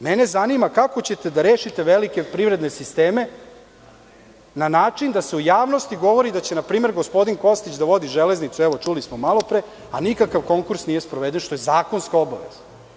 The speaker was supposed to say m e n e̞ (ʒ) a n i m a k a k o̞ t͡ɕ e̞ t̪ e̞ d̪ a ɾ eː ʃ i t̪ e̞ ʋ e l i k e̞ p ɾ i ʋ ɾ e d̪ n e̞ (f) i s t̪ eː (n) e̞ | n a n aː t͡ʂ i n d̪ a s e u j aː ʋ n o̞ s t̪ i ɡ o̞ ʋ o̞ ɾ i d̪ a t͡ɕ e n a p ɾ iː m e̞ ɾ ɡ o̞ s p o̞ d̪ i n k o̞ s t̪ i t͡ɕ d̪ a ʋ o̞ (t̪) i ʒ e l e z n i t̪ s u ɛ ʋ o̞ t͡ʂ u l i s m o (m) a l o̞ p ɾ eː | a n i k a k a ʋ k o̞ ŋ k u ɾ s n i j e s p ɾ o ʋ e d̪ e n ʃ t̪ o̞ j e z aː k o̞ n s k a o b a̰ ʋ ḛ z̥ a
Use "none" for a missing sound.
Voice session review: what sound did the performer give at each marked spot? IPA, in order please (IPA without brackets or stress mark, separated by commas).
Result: z, s, m, d̪, m